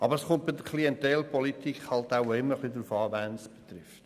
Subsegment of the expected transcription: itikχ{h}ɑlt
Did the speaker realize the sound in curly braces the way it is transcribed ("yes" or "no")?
yes